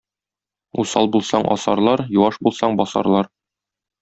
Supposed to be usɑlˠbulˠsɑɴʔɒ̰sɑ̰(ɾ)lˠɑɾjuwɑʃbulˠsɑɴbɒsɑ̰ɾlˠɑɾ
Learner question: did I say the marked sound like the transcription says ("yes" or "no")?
yes